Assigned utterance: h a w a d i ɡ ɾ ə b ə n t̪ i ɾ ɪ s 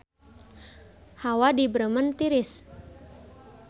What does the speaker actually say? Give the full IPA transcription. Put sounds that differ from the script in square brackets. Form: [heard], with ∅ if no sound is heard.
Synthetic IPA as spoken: h a w a d i [b] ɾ ə [m] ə n t̪ i ɾ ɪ s